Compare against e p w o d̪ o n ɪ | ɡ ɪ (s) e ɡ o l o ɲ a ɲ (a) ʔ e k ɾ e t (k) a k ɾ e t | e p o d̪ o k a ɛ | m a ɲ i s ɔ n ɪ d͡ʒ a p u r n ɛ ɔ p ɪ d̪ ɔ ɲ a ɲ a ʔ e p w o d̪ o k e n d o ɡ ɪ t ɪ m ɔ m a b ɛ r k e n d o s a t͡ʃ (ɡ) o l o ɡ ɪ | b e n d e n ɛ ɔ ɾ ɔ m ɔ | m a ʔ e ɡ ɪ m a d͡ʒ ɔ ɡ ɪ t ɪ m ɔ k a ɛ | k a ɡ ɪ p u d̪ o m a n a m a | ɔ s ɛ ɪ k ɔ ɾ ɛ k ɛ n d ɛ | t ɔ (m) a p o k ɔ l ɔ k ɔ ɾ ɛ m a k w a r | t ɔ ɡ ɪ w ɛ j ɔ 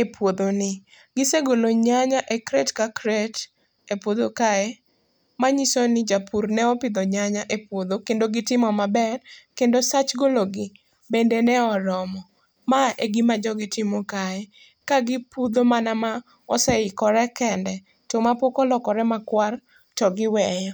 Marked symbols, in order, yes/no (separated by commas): yes, yes, yes, yes, yes